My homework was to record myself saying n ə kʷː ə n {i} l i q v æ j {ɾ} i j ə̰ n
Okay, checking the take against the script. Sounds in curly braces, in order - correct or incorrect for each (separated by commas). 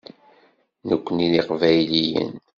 correct, incorrect